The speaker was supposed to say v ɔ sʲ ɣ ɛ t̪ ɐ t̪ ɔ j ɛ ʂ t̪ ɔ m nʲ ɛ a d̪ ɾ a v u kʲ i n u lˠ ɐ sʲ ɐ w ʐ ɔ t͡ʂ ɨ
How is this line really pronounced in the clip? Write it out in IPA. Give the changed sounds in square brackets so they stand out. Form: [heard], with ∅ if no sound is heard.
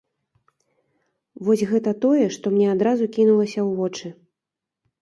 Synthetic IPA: v ɔ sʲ ɣ ɛ t̪ ɐ t̪ ɔ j ɛ ʂ t̪ ɔ m nʲ ɛ a d̪ ɾ a [z] u kʲ i n u lˠ ɐ sʲ ɐ w [v] ɔ t͡ʂ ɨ